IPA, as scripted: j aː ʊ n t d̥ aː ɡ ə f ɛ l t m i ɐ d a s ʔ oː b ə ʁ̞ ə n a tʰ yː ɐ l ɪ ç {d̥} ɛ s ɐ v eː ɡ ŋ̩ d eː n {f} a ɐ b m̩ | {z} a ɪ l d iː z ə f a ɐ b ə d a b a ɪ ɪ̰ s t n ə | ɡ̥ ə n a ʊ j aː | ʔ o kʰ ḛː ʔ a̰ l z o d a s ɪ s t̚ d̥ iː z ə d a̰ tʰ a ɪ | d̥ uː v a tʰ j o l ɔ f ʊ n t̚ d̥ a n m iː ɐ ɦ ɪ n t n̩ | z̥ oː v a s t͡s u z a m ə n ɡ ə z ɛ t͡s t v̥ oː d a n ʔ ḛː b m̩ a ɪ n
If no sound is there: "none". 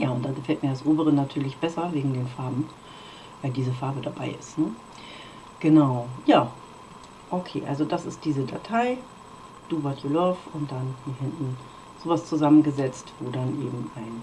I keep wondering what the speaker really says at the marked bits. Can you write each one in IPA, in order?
b̥, f, v

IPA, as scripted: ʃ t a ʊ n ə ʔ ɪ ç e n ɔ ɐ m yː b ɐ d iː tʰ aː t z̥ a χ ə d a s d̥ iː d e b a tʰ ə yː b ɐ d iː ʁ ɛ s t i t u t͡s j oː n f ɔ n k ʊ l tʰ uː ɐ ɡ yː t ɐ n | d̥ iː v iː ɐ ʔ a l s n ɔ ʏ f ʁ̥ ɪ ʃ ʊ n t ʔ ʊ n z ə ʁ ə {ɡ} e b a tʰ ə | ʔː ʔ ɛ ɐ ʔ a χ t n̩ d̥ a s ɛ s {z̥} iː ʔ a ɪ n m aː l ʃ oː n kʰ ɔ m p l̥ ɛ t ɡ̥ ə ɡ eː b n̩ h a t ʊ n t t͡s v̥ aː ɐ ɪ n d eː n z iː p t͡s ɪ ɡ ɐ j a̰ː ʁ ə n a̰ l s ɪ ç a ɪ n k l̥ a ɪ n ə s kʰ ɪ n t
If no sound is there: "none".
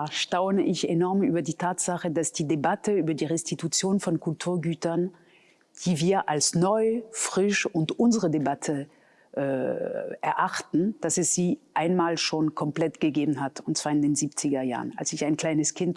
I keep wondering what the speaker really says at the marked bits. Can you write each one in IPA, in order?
d, z̥

